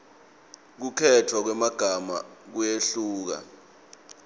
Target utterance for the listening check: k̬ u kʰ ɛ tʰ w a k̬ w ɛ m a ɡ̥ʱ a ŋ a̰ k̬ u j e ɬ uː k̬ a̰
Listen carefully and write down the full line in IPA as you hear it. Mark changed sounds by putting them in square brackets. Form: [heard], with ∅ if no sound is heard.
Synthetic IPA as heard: k̬ u kʰ ɛ tʰ w a k̬ w ɛ m a ɡ̥ʱ a [m] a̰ k̬ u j e ɬ uː k̬ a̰